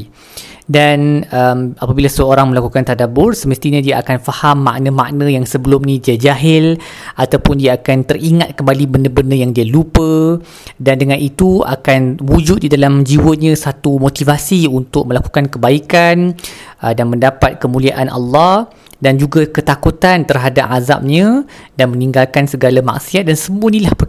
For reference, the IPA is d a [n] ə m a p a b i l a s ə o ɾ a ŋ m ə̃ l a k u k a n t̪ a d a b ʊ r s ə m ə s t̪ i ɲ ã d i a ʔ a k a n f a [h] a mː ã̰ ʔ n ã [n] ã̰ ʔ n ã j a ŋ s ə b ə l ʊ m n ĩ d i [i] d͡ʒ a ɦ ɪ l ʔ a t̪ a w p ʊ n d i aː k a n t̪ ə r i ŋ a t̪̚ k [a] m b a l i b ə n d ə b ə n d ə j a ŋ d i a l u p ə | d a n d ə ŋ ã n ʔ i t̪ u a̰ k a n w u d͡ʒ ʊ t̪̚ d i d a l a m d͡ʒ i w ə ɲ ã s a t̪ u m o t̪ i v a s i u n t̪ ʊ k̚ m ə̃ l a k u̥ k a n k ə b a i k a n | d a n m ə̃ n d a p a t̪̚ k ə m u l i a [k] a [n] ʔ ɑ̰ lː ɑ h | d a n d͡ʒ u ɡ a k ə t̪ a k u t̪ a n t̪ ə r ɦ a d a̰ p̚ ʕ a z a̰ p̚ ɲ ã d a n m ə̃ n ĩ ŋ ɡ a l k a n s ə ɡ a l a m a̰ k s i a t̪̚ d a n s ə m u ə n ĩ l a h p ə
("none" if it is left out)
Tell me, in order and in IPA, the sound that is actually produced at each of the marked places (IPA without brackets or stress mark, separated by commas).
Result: n, h, m, a, ə, ʔ, n